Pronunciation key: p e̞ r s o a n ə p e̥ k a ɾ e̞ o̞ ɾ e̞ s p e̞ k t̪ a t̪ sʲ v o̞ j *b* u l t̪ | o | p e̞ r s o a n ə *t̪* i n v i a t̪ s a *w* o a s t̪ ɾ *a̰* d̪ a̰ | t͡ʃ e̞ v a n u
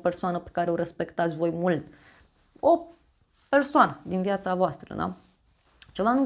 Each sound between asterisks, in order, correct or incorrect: incorrect: m, incorrect: d̪, incorrect: v, incorrect: ə̰

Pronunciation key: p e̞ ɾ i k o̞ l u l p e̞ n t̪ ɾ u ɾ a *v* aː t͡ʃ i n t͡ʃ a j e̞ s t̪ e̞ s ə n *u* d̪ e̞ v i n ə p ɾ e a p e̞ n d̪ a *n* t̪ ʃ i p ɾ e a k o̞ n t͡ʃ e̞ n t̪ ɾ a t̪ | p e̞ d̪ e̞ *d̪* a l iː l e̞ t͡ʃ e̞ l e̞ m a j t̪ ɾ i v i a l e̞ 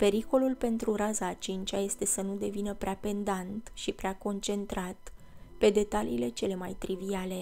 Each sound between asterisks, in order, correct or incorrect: incorrect: z, correct, correct, incorrect: t̪

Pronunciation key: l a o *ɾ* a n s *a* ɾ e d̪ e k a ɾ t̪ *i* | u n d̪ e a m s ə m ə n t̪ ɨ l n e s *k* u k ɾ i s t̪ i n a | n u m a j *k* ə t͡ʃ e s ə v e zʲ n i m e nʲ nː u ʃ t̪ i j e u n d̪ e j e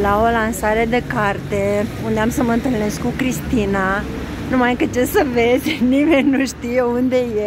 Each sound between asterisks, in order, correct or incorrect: incorrect: l, correct, incorrect: e, correct, correct

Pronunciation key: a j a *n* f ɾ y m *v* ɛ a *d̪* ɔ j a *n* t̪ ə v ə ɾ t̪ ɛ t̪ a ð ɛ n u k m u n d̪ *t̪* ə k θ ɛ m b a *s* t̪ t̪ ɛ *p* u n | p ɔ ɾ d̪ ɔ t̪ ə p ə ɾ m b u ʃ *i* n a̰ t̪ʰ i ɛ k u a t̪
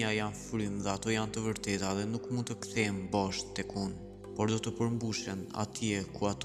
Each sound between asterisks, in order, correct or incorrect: correct, incorrect: ð, incorrect: t̪, correct, correct, incorrect: ʃ, incorrect: k, incorrect: ɛ

